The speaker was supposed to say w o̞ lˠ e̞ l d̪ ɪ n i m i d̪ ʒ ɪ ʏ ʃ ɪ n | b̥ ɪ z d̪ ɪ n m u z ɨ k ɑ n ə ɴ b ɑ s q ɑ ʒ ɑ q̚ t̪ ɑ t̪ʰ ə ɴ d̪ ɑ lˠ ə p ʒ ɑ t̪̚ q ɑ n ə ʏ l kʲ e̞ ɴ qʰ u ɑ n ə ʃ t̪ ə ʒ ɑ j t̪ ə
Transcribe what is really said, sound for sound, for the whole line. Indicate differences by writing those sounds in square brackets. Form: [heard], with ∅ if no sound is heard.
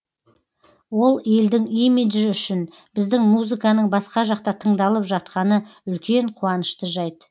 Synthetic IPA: w o̞ lˠ e̞ l d̪ ɪ [ŋ] i m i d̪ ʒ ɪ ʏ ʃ ɪ n | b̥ ɪ z d̪ ɪ [ŋ] m u z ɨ k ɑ n ə ɴ b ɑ s q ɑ ʒ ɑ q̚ t̪ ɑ t̪ʰ ə ɴ d̪ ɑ lˠ ə p ʒ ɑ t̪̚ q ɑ n ə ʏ l kʲ e̞ ɴ qʰ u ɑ n ə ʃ t̪ ə ʒ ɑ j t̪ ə